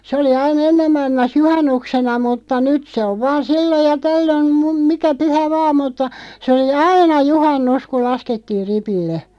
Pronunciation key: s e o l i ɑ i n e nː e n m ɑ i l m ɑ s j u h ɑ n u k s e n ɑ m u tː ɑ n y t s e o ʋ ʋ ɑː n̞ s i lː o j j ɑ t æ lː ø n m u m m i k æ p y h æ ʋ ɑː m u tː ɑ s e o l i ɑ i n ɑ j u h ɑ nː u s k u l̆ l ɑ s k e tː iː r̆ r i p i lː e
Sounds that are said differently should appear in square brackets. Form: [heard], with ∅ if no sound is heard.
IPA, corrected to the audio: s e o l i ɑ i n e nː e [m] m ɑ i l m ɑ s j u h ɑ [nː] u k s e n ɑ m u tː ɑ n y t s e o ʋ ʋ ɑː n̞ s i lː o j j ɑ t æ lː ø n m u m m i k æ p y h æ ʋ ɑː m u tː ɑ s e o l i ɑ i n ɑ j u h ɑ nː u s k u l̆ l ɑ s k e tː iː r̆ r i p i lː e